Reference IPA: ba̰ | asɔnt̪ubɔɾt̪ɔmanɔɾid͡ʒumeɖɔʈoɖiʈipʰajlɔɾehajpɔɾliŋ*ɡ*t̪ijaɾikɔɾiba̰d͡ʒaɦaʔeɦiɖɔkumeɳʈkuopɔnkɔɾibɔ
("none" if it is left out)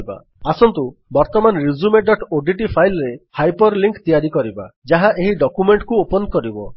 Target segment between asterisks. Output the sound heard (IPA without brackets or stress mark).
k